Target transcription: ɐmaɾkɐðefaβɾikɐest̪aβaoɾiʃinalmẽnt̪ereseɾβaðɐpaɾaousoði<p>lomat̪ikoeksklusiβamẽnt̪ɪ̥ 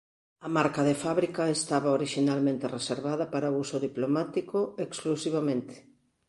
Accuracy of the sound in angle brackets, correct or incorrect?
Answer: correct